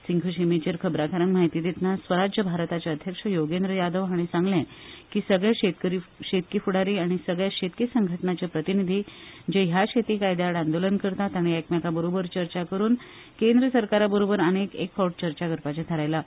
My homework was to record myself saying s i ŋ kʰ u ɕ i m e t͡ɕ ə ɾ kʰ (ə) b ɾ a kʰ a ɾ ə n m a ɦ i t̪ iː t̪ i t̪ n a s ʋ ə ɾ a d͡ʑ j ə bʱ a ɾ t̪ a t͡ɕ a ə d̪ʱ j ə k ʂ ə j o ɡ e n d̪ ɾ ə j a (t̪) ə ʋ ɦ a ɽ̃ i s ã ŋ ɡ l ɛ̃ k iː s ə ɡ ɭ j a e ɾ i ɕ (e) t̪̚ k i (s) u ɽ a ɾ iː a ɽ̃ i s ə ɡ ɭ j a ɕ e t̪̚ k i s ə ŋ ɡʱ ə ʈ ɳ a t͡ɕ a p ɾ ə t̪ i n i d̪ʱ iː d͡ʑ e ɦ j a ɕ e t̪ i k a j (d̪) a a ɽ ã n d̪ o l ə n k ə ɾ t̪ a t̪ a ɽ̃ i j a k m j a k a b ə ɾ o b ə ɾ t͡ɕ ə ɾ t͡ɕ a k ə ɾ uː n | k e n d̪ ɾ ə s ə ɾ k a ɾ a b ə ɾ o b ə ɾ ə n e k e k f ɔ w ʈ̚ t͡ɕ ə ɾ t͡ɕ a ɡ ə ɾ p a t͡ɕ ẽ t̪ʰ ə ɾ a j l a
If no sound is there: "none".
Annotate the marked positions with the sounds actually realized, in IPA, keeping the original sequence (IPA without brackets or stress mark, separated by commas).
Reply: ə, d̪, e, f, d̪